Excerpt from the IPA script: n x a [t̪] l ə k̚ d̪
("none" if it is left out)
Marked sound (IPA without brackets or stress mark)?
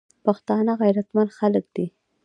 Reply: none